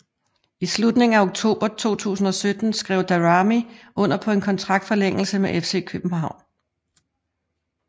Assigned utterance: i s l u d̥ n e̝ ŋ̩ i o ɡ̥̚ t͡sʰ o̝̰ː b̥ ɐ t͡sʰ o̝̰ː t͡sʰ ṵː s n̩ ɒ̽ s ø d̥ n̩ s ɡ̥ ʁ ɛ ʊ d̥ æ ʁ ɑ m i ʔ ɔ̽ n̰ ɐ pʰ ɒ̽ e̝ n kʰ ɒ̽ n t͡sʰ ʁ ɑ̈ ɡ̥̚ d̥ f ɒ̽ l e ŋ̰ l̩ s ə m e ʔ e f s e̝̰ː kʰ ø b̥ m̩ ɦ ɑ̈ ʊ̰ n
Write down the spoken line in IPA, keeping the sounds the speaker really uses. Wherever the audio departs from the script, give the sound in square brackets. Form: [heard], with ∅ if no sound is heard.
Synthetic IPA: i s l u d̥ n e̝ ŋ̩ [æ] o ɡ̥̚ t͡sʰ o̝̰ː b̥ ɐ t͡sʰ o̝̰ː t͡sʰ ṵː s n̩ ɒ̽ s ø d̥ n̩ s ɡ̥ ʁ ɛ ʊ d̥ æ ʁ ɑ m i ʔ ɔ̽ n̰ ɐ pʰ ɒ̽ e̝ n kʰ ɒ̽ n t͡sʰ ʁ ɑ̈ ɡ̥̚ d̥ f ɒ̽ l e ŋ̰ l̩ s ə m e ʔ e f s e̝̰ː kʰ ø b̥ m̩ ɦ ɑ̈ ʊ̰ n